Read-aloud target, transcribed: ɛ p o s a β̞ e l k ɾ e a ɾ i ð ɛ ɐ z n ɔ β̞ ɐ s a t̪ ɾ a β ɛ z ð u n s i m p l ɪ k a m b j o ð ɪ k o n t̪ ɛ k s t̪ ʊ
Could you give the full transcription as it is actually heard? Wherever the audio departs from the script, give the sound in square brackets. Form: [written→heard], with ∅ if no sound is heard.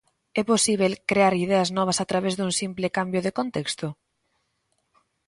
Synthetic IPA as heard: ɛ p o s [a→i] β̞ e l k ɾ e a ɾ i ð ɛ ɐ z n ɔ β̞ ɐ s a t̪ ɾ a β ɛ z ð u [n→ŋ] s i m p l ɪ k a m b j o ð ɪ k o n t̪ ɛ k s t̪ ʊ